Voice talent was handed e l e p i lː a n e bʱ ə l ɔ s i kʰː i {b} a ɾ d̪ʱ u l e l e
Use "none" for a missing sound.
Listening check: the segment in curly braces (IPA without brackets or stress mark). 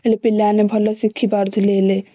b